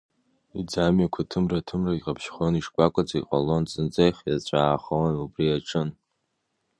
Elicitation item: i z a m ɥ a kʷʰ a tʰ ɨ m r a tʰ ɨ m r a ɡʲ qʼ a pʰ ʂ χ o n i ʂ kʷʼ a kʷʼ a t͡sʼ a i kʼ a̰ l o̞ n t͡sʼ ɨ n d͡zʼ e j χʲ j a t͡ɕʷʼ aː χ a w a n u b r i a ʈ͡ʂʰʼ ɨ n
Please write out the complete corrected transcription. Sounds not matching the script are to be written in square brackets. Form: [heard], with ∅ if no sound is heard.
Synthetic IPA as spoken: i [d͡z] a m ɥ a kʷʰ a tʰ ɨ m r a tʰ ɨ m r a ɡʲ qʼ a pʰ [ʃ] χ o n i ʂ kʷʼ a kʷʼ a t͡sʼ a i [qʼ] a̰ l o̞ n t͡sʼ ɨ n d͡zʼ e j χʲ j a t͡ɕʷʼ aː χ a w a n u b r i a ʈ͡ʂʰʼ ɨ n